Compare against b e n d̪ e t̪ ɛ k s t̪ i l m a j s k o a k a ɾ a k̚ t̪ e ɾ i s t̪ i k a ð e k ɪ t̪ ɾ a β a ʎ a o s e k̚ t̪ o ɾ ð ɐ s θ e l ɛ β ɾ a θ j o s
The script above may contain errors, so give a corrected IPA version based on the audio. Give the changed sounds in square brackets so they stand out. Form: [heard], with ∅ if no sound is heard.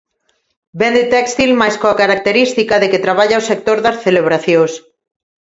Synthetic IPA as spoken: b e n d̪ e t̪ ɛ k s t̪ i l m a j s k o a k a ɾ a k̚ t̪ e ɾ i s t̪ i k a ð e k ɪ t̪ ɾ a β a ʎ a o s e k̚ t̪ o ɾ ð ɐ s θ e l [e] β ɾ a θ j o s